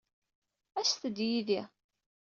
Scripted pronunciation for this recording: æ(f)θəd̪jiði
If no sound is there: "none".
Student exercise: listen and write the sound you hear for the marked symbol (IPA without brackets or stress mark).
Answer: s